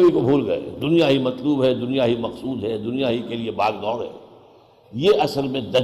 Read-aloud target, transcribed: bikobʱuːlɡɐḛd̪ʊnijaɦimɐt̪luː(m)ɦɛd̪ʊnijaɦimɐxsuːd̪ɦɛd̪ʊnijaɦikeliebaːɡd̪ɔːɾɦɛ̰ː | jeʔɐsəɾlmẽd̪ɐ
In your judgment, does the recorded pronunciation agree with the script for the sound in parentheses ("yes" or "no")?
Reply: no